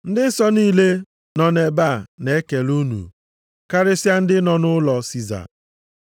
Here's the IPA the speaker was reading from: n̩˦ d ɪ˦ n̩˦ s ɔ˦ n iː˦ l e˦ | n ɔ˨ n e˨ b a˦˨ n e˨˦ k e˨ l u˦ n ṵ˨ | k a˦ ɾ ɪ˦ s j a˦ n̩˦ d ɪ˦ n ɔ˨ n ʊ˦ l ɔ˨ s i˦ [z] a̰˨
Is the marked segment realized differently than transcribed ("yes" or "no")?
no